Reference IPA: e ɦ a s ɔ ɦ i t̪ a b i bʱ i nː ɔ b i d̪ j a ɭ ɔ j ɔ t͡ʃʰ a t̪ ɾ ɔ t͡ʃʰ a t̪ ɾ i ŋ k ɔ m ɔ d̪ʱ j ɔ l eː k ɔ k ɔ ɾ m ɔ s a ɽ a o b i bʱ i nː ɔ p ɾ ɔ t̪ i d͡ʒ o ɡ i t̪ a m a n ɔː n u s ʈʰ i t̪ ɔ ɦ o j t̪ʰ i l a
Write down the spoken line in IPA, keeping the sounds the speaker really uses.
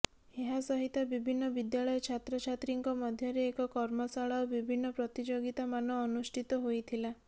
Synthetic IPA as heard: e ɦ a s ɔ ɦ i t̪ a b i bʱ i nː ɔ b i d̪ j a ɭ ɔ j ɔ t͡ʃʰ a t̪ ɾ ɔ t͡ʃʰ a t̪ ɾ i ŋ k ɔ m ɔ d̪ʱ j ɔ ɾ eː k ɔ k ɔ ɾ m ɔ s a ɭ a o b i bʱ i nː ɔ p ɾ ɔ t̪ i d͡ʒ o ɡ i t̪ a m a n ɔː n u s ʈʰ i t̪ ɔ ɦ o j t̪ʰ i l a